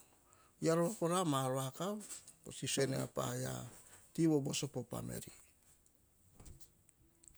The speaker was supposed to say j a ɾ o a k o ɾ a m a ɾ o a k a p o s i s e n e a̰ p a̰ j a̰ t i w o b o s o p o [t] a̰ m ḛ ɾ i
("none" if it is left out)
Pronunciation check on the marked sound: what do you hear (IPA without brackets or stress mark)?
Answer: p